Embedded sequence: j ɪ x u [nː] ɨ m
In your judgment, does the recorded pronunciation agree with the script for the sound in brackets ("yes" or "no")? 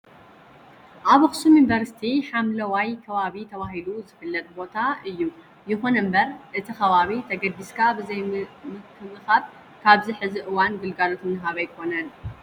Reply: no